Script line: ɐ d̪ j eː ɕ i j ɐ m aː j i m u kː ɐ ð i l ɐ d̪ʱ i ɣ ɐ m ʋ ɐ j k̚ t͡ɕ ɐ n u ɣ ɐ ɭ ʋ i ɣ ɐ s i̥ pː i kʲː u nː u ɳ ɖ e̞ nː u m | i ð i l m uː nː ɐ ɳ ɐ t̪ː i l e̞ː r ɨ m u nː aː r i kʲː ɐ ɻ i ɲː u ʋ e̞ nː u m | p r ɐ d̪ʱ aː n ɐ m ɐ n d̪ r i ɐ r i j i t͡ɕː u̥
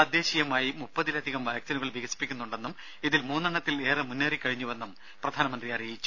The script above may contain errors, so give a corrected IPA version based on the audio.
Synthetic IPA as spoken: ɐ d̪ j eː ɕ i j ɐ m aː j i m u pː ɐ ð i l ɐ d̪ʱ i ɣ ɐ m ʋ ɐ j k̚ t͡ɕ ɐ n u ɣ ɐ ɭ ʋ i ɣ ɐ s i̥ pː i kʲː u nː u ɳ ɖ e̞ nː u m | i ð i l m uː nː ɐ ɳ ɐ t̪ː i l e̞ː r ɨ m u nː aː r i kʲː ɐ ɻ i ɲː u ʋ e̞ nː u m | p r ɐ d̪ʱ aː n ɐ m ɐ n d̪ r i ɐ r i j i t͡ɕː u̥